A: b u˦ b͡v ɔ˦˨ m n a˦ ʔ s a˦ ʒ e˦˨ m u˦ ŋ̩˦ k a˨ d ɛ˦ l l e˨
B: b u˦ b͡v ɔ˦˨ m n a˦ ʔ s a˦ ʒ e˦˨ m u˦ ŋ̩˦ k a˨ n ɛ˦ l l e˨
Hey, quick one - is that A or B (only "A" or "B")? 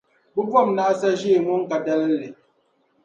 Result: A